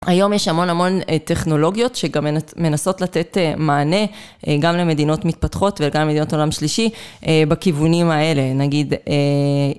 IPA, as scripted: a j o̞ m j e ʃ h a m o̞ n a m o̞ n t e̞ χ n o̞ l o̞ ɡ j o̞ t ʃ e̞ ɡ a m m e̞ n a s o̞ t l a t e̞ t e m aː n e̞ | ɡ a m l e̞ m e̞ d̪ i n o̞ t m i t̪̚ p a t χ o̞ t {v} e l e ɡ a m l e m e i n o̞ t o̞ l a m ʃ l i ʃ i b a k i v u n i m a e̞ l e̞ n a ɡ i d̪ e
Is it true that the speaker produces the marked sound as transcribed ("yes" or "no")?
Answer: yes